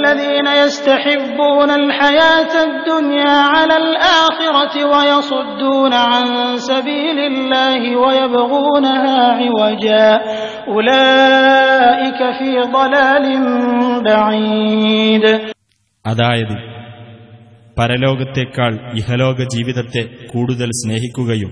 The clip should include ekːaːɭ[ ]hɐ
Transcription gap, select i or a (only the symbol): i